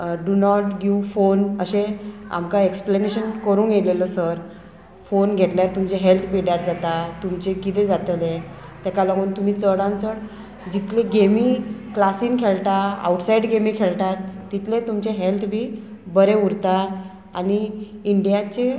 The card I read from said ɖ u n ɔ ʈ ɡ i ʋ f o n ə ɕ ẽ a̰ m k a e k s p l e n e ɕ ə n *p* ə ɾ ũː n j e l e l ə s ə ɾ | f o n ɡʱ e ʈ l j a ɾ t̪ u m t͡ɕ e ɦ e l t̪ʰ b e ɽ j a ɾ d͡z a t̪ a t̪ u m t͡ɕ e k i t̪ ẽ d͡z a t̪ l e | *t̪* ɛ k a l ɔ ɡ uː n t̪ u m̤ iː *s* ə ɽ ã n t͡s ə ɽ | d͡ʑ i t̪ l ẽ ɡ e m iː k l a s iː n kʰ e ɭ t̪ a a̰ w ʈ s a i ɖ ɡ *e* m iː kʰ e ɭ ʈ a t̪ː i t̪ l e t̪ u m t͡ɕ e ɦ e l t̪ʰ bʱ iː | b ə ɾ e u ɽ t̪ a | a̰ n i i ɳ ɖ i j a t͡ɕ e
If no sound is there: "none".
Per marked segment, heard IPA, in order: k, t̪, t͡s, e

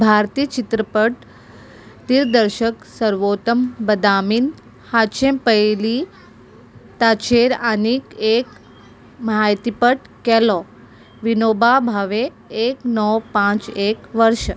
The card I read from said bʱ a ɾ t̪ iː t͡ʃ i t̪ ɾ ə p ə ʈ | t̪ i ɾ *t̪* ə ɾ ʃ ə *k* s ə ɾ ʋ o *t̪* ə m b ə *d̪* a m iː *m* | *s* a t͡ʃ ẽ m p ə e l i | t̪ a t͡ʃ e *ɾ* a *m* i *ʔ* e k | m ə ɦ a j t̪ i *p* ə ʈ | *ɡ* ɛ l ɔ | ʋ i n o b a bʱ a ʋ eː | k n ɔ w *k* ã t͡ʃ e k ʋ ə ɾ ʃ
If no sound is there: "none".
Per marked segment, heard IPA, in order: d̪, k, t̪, d̪, n, h, ɾ, n, k, p, k, p

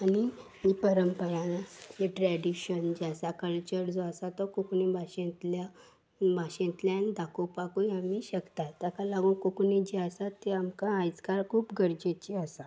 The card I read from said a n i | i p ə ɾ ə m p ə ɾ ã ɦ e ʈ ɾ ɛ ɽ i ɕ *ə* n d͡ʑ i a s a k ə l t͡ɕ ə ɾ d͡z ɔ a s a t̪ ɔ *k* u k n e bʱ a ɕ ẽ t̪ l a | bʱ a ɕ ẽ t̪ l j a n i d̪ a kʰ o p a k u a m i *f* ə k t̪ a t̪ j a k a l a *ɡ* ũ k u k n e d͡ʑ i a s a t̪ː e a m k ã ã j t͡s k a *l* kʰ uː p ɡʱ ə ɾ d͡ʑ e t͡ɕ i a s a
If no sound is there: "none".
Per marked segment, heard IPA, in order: ə, k, ɕ, ɡ, ɾ

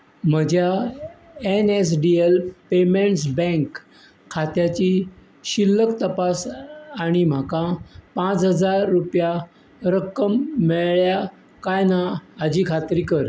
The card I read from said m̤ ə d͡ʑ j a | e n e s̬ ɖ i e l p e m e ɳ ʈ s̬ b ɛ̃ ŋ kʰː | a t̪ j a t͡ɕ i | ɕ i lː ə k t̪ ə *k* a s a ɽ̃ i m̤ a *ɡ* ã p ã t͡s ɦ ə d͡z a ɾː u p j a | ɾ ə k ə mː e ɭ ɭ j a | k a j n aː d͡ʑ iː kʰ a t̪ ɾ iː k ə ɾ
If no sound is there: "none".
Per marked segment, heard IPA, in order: p, k

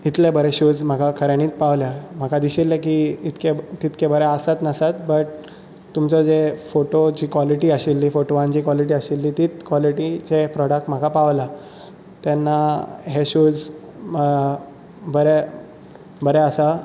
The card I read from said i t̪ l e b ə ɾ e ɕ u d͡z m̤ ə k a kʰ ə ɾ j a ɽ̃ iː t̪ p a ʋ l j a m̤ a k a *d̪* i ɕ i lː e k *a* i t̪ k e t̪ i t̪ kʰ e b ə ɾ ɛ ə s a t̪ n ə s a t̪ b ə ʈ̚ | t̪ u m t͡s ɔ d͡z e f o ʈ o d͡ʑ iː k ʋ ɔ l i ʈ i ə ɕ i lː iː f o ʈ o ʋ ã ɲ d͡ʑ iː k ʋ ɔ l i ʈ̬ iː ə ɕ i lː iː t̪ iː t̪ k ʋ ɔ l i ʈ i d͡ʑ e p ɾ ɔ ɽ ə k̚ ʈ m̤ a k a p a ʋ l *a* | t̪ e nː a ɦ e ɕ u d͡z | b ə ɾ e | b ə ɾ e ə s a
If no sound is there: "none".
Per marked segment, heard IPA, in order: d̪, i, a

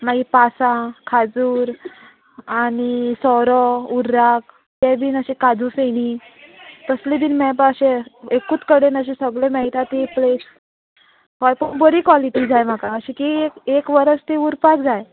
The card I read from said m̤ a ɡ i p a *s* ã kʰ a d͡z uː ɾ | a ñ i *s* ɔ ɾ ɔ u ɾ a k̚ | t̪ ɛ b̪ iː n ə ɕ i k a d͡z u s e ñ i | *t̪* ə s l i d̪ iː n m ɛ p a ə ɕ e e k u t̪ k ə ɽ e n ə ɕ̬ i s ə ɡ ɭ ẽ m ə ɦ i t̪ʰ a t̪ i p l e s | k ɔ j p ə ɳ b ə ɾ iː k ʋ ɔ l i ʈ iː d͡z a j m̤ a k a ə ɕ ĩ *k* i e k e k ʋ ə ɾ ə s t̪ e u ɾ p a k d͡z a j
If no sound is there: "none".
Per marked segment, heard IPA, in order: s, s, t̪, k

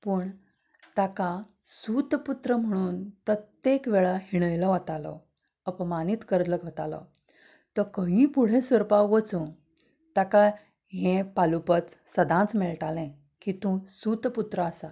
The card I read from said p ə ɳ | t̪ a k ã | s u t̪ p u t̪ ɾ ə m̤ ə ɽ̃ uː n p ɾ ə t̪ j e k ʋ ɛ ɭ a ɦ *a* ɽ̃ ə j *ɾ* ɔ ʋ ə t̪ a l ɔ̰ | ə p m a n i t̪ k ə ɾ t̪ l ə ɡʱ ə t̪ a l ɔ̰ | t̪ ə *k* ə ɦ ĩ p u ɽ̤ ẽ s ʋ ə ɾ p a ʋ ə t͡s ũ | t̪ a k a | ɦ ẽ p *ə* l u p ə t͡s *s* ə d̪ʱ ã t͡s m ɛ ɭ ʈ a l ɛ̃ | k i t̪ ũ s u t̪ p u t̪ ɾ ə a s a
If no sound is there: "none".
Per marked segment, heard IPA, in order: i, l, k, a, s

